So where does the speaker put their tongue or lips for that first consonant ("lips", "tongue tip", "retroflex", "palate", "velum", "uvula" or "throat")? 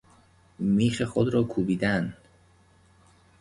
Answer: lips